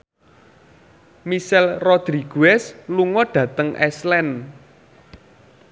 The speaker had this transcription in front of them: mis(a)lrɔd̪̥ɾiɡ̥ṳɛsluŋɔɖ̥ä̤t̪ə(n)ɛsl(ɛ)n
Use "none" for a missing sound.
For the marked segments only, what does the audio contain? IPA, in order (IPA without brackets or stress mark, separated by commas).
ɛ, ŋ, ɛ